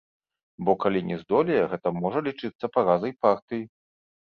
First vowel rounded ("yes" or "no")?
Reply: yes